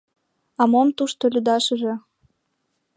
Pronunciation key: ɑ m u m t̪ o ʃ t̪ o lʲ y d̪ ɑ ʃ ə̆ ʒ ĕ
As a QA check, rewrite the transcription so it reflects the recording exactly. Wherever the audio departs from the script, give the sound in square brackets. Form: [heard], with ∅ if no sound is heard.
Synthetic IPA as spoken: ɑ m [o] m t̪ [u] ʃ t̪ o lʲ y d̪ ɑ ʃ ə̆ ʒ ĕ

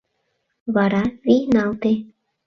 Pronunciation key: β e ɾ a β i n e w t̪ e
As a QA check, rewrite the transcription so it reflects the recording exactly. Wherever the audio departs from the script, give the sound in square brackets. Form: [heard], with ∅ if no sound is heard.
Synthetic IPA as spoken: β [a] ɾ a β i n [a] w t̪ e

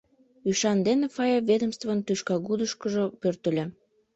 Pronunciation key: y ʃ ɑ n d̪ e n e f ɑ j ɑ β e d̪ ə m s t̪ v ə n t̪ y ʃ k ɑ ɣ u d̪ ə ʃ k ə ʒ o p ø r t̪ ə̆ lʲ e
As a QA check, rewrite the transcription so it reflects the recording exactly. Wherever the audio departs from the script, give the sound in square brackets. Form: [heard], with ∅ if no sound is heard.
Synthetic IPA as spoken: y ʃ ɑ n d̪ e n e f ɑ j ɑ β e d̪ ə m s t̪ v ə n t̪ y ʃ k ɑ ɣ u d̪ ə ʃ k ə ʒ o p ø r t̪ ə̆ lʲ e

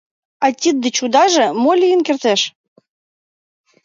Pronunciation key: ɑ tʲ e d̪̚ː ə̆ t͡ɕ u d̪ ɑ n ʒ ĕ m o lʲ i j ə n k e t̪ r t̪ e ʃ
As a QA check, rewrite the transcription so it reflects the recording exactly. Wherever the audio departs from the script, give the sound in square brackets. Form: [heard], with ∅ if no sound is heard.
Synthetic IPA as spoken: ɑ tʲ [i] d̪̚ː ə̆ t͡ɕ u d̪ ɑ [∅] ʒ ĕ m o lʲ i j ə n k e [∅] r t̪ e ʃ

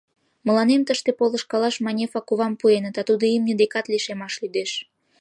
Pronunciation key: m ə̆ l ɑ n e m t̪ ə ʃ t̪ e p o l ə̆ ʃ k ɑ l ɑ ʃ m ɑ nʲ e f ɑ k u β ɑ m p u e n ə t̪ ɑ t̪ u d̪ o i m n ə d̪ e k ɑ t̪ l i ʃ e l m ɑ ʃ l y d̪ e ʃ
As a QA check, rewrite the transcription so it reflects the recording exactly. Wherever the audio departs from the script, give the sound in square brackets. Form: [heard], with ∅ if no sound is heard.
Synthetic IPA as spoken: m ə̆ l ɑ n e m t̪ ə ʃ t̪ e p o l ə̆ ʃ k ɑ l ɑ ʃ m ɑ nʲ e f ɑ k u β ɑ m p u e n ə t̪ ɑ t̪ u d̪ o i m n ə d̪ e k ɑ t̪ l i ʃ e [∅] m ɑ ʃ l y d̪ e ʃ

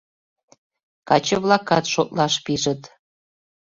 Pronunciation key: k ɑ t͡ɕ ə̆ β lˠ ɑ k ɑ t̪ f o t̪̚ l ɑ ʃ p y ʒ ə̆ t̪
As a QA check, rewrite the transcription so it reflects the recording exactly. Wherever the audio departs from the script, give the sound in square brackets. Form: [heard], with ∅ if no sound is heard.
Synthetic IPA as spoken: k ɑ t͡ɕ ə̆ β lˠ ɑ k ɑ t̪ [ʃ] o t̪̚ l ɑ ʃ p [i] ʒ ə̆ t̪

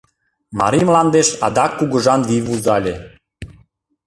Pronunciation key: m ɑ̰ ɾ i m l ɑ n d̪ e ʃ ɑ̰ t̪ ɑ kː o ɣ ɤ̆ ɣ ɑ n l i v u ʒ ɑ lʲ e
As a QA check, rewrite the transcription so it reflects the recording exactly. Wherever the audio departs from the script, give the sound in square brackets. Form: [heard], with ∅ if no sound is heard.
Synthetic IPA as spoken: m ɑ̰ ɾ i m l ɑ n d̪ e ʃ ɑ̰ [d̪] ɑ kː [u] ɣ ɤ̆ [ʒ] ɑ n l i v u [z] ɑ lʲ e

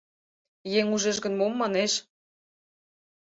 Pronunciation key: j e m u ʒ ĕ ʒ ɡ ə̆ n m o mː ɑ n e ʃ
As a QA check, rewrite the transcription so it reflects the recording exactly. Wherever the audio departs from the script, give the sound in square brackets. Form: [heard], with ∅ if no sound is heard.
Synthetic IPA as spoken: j e [ŋ] u ʒ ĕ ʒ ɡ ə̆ n m o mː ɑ n e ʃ

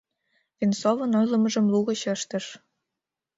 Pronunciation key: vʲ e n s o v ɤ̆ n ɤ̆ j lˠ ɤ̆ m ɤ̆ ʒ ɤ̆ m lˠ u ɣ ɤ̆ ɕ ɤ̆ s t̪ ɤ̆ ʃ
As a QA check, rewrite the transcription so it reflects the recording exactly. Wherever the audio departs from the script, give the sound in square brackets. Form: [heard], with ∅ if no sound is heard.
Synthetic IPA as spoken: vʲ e n s o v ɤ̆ n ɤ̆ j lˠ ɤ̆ m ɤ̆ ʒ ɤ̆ m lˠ u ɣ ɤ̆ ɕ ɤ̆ [ʃ] t̪ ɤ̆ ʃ

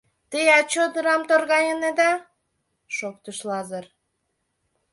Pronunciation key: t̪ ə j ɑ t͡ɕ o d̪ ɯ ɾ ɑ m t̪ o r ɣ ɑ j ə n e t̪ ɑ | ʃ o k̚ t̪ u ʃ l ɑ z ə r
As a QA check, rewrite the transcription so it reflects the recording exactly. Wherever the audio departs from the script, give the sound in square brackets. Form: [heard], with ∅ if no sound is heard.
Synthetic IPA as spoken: t̪ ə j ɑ t͡ɕ o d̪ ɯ ɾ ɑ m t̪ o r ɣ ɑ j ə n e [d̪] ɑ | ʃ o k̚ t̪ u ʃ l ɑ z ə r

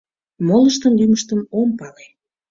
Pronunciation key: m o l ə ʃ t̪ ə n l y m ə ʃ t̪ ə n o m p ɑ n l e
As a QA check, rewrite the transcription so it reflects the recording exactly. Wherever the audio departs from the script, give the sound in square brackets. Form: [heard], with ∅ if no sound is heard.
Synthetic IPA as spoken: m o l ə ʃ t̪ ə n l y m ə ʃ t̪ ə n o m p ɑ [∅] l e

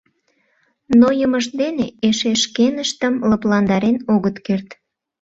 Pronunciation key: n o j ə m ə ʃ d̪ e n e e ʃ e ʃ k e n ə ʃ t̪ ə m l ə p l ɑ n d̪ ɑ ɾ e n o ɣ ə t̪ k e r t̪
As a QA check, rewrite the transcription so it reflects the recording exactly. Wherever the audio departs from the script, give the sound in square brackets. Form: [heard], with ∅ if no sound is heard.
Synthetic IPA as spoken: n o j ə m ə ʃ d̪ e n e e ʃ e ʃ k e n ə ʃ t̪ ə m l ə p l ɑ n d̪ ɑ ɾ e n o ɣ ə t̪ k e r t̪

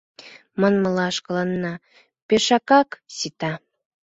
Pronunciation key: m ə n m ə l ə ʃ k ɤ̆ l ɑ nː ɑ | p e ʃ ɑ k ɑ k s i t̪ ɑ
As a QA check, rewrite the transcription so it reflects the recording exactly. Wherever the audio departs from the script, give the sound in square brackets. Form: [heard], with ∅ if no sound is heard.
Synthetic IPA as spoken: m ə n m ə l [ɑ] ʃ k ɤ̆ l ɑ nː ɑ | p e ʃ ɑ k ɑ k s i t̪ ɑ

